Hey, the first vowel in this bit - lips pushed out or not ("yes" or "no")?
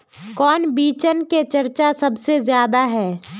yes